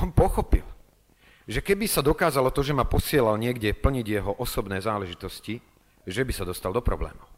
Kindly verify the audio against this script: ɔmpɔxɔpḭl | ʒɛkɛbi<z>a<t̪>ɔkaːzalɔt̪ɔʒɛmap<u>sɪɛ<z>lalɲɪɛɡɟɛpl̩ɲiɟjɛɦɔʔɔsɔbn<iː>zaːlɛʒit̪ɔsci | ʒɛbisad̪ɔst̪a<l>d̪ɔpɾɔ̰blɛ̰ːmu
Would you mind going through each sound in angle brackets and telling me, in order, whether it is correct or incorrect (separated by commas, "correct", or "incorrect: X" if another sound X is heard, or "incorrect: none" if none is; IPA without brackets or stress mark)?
incorrect: s, incorrect: d̪, incorrect: ɔ, incorrect: none, incorrect: ɛː, correct